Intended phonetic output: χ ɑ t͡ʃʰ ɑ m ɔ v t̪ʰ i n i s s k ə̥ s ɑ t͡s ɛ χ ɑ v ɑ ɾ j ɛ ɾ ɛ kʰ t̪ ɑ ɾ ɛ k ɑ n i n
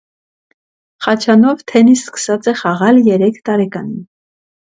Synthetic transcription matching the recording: χ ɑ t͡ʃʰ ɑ n ɔ v t̪ʰ ɛ n i s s k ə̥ s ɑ t͡s ɛ χ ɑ ʁ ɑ l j ɛ ɾ ɛ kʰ t̪ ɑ ɾ ɛ k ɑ n i n